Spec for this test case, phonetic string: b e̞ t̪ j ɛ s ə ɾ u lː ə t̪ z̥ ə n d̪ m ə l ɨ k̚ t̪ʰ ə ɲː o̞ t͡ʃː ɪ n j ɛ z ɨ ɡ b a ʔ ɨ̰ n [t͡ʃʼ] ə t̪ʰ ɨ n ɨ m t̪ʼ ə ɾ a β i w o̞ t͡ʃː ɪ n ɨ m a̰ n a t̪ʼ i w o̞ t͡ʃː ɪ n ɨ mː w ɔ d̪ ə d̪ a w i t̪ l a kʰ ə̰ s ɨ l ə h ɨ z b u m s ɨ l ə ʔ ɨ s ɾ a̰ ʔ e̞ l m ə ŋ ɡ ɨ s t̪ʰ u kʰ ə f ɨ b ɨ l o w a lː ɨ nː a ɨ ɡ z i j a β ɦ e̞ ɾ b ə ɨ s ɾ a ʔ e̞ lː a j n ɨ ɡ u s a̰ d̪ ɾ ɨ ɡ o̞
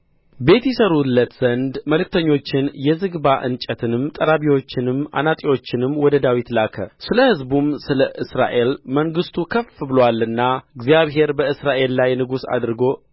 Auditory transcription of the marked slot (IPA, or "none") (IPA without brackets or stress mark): t͡ʃʼ